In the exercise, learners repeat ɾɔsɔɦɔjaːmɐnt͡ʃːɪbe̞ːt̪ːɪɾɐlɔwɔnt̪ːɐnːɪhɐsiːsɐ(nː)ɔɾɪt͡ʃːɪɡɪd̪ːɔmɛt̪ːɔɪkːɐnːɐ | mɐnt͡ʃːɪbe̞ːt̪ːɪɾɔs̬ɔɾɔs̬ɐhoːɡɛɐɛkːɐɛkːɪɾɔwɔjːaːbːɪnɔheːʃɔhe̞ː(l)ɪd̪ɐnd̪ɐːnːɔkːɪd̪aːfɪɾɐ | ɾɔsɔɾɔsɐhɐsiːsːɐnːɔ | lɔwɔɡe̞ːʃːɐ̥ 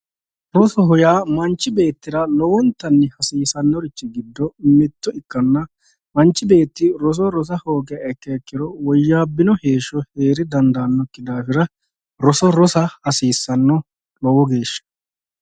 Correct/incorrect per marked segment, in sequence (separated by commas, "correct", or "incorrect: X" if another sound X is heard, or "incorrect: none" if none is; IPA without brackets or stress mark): correct, incorrect: ɾ